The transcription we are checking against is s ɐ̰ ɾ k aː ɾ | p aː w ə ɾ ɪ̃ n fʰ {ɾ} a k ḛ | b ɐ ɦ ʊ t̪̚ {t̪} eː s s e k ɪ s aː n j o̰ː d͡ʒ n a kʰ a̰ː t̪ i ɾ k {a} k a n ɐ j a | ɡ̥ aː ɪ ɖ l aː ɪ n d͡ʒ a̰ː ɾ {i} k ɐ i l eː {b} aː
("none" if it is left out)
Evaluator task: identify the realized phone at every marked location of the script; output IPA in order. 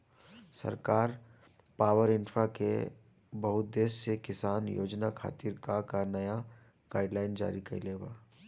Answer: ɾ, d̪, a, i, ɡ

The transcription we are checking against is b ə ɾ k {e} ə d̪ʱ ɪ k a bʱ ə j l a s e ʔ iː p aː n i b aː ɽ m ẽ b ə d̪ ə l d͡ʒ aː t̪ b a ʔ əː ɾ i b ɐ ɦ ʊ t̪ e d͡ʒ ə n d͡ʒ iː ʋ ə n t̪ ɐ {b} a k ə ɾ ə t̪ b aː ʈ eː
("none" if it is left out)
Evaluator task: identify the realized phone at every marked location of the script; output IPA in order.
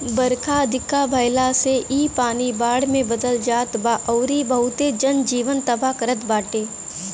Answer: a, b

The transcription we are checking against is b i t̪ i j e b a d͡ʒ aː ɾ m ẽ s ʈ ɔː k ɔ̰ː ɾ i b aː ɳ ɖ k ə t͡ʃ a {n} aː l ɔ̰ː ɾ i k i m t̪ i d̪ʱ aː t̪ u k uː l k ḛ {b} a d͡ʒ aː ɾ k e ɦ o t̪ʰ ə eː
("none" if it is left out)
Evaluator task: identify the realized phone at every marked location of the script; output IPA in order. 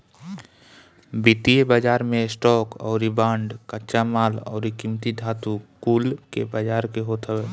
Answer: m, b

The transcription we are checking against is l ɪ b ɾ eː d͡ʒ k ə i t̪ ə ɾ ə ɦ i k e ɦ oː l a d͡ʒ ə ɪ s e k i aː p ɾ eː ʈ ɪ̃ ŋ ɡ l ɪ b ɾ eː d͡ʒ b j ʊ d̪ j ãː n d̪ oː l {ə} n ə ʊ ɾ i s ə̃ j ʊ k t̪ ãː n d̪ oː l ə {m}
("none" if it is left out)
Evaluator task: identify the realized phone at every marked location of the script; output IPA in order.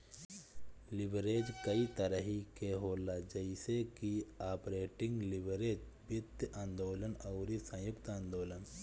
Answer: ə, n

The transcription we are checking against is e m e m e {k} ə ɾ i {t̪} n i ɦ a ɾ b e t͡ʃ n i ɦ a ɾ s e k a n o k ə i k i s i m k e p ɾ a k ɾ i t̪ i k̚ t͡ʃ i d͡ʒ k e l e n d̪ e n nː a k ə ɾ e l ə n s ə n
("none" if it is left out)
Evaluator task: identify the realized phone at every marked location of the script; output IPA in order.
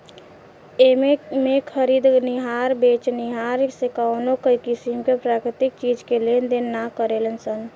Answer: kʰ, d̪

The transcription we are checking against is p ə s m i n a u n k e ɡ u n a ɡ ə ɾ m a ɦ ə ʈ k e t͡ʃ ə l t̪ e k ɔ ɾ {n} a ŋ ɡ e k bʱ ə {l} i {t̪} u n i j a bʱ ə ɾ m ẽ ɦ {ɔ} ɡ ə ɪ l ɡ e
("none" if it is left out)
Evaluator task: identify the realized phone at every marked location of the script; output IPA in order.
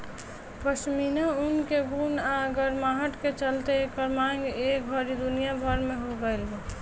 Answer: m, ɾ, d̪, o

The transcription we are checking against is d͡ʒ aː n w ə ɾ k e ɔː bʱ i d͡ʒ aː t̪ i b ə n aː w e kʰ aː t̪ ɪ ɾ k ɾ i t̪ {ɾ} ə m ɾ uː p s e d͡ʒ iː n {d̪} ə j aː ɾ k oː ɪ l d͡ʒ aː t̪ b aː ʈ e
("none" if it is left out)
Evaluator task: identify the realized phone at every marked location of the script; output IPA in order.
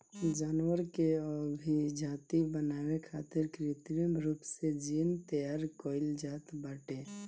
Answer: ɾ, t̪

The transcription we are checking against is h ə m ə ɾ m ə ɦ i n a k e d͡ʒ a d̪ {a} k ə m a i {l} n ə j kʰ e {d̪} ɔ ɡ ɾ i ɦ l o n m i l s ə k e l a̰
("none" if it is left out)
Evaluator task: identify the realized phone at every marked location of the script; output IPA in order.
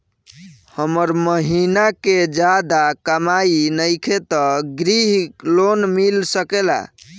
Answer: a, none, t̪

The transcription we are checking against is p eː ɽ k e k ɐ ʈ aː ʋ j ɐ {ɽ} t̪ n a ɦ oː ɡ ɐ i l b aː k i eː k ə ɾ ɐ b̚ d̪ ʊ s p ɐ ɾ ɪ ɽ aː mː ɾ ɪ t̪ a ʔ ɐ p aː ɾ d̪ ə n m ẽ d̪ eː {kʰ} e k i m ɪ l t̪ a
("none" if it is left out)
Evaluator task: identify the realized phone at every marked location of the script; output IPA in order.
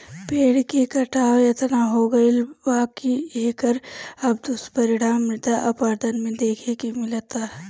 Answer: none, kʰ

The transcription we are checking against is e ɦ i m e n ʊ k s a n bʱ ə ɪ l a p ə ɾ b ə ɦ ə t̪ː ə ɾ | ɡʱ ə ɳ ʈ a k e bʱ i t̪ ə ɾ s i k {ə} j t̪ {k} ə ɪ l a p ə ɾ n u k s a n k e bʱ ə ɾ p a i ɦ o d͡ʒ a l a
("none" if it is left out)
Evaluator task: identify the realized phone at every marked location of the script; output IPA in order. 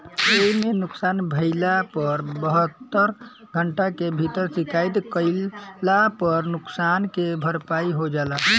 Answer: a, k

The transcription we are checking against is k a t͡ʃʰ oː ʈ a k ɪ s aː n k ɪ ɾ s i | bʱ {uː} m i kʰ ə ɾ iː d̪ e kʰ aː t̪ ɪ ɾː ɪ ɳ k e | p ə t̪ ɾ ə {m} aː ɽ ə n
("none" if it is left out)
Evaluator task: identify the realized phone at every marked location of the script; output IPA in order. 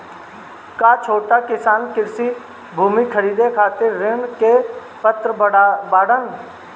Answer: uː, b

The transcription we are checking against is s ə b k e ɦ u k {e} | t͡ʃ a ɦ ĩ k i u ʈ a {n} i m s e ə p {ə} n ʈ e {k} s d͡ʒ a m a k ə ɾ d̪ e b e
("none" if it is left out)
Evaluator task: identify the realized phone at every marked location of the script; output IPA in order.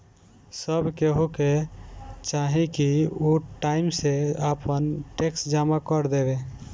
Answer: e, none, ə, k

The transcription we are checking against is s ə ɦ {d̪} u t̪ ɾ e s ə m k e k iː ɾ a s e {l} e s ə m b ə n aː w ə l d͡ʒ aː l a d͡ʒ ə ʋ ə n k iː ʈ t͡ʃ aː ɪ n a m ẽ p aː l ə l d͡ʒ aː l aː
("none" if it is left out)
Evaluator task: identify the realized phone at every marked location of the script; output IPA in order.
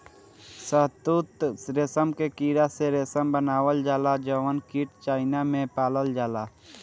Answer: t̪, ɾ

